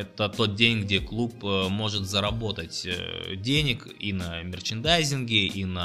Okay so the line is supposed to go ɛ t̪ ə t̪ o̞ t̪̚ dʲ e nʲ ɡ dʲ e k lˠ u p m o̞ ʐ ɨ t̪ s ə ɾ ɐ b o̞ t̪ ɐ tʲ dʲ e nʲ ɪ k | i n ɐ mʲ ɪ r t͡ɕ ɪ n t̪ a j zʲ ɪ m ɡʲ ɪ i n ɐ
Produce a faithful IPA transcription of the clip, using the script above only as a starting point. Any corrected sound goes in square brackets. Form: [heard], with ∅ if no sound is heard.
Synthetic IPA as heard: ɛ t̪ ə t̪ o̞ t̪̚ dʲ e nʲ ɡ dʲ e k lˠ u p m o̞ ʐ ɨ t̪ [z] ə ɾ ɐ b o̞ t̪ [ə] tʲ dʲ e nʲ ɪ k | i n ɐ mʲ ɪ r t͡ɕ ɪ n [d̪] a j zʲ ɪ [n] ɡʲ ɪ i n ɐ